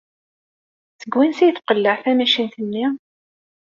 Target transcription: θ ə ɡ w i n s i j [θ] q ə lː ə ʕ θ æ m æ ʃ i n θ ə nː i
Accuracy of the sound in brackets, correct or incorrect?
correct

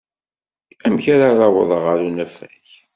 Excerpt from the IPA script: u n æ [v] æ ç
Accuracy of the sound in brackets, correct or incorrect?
incorrect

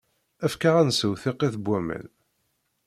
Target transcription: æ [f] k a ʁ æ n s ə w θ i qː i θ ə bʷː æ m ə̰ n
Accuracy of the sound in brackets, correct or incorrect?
correct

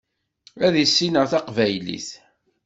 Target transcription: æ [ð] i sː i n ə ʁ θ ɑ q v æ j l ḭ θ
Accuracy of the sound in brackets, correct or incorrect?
correct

